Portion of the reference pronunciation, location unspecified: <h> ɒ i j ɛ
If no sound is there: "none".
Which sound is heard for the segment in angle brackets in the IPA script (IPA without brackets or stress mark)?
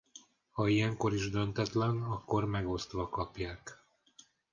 h